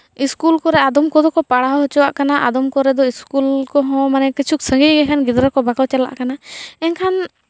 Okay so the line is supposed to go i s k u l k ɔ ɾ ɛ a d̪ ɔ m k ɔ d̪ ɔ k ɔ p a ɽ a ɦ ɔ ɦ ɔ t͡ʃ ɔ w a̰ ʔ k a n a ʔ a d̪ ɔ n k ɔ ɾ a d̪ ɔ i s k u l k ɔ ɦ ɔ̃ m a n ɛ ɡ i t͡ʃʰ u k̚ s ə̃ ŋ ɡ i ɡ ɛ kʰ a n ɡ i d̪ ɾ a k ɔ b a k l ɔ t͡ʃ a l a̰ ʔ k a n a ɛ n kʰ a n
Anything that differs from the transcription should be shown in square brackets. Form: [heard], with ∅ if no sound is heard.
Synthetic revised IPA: i s k u l k ɔ ɾ ɛ a d̪ ɔ m k ɔ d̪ ɔ k ɔ p a ɽ a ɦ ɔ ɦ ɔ t͡ʃ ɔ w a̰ ʔ k a n a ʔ a d̪ ɔ [m] k ɔ ɾ [ɛ] d̪ ɔ i s k u l k ɔ ɦ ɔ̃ m a n ɛ [k] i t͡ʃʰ u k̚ s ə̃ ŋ ɡ i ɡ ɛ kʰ a n ɡ i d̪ ɾ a k ɔ b a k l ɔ t͡ʃ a l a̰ ʔ k a n a ɛ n kʰ a n